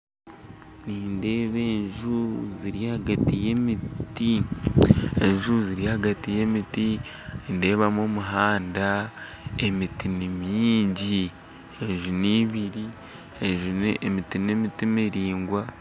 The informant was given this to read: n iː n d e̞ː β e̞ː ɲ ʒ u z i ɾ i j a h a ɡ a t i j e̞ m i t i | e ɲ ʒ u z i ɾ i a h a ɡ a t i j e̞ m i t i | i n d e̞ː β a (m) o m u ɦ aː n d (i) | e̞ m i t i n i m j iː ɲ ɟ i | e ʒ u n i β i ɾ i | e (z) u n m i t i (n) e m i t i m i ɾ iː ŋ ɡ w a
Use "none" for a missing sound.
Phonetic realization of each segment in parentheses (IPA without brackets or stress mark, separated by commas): m, a, ʒ, n